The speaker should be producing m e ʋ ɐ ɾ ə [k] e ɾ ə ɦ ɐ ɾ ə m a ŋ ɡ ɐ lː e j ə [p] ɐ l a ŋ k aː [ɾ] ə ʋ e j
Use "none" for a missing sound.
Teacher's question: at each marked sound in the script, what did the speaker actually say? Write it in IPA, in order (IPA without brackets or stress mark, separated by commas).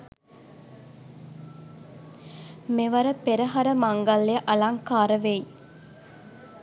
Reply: p, ʔ, ɾ